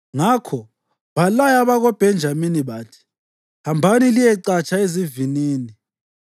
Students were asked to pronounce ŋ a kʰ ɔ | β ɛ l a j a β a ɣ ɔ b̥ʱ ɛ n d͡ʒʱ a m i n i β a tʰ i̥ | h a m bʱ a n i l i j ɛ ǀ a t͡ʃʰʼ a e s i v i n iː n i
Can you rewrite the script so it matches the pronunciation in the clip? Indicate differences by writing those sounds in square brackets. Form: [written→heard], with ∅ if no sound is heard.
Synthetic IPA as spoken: ŋ a kʰ ɔ | β [ɛ→a] l a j a β a ɣ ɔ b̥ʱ ɛ n d͡ʒʱ a m i n i β a tʰ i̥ | h a m bʱ a n i l i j ɛ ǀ a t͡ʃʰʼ a e [s→z] i v i n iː n i